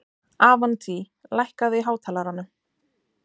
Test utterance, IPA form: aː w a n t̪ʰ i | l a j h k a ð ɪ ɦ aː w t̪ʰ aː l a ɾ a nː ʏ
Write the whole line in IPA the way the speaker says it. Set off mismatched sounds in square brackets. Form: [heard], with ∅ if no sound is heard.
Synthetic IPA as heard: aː [v] a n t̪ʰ i | l a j h k a ð ɪ ɦ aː w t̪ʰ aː l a ɾ a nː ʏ